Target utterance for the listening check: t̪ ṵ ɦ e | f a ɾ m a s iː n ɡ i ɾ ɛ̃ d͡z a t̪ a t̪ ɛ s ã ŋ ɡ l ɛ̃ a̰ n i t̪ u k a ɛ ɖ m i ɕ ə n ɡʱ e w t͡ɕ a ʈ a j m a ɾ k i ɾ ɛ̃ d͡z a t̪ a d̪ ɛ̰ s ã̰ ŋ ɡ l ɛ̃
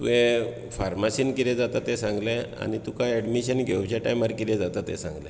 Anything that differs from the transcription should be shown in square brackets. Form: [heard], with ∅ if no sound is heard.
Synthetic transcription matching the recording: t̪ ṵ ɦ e | f a ɾ m a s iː n [k] i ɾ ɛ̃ d͡z a t̪ a t̪ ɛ s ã ŋ ɡ l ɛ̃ a̰ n i t̪ u k a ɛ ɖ m i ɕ ə n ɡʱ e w t͡ɕ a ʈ a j m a ɾ k i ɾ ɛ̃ d͡z a t̪ a [t̪] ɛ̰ s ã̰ ŋ ɡ l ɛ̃